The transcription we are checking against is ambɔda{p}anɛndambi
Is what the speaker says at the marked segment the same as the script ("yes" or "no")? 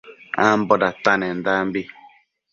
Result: no